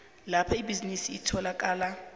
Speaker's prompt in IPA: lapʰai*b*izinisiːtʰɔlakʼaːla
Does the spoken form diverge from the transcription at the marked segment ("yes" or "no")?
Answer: no